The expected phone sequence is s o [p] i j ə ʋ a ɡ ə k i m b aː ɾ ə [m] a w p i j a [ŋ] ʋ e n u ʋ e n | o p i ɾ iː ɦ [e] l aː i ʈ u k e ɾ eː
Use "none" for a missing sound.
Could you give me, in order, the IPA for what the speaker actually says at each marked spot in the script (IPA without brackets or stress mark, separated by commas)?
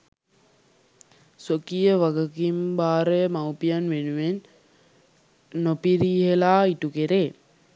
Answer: k, m, n, e